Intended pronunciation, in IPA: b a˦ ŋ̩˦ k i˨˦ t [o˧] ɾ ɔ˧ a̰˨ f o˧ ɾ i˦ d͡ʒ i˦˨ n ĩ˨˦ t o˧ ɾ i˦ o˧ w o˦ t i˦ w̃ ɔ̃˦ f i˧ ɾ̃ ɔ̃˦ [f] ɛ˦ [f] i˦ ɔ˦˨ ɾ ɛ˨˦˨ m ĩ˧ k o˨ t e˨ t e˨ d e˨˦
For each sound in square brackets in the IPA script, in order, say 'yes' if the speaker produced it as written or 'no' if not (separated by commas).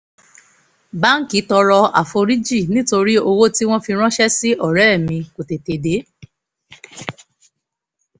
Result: no, no, no